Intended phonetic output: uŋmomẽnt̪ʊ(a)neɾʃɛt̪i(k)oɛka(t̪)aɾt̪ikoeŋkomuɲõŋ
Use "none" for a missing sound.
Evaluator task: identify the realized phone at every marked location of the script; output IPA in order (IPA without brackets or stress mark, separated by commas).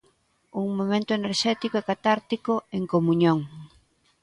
e, k, t̪